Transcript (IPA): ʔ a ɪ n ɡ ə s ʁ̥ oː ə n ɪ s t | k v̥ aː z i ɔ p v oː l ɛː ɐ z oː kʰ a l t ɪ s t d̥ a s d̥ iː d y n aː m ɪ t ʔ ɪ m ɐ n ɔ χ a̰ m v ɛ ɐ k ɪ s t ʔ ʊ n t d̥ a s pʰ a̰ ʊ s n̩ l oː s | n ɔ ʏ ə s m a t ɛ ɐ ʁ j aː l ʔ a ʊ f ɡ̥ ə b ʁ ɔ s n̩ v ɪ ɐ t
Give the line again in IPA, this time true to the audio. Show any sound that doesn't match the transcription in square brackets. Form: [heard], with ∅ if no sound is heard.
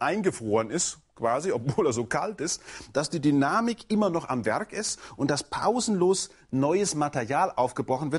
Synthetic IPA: ʔ a ɪ n ɡ ə [f] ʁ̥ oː ə n ɪ s t | k v̥ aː z i ɔ p v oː l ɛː ɐ z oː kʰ a l t ɪ s t d̥ a s d̥ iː d y n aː m ɪ [k] ʔ ɪ m ɐ n ɔ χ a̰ m v ɛ ɐ k ɪ s t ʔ ʊ n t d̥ a s pʰ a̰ ʊ [z] n̩ l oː s | n ɔ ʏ ə s m a t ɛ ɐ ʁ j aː l ʔ a ʊ f ɡ̥ ə b ʁ ɔ [χ] n̩ v ɪ ɐ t